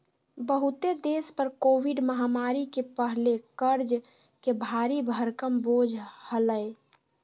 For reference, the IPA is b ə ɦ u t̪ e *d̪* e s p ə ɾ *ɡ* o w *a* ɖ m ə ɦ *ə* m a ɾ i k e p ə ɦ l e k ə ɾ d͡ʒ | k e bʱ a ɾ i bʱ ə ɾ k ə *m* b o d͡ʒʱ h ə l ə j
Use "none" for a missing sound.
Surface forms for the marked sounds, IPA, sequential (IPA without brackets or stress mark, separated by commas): d̪, k, i, a, m